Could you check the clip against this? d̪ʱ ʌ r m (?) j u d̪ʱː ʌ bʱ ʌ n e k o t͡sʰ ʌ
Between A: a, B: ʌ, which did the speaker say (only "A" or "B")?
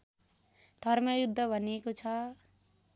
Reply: B